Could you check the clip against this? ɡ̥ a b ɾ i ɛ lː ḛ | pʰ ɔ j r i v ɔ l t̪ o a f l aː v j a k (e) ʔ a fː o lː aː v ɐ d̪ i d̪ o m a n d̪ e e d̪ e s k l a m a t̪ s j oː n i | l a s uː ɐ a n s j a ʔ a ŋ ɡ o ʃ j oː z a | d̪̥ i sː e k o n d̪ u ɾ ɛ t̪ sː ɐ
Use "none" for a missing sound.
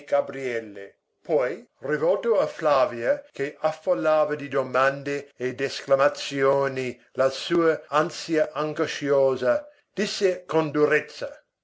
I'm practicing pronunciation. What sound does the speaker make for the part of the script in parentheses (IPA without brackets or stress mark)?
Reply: e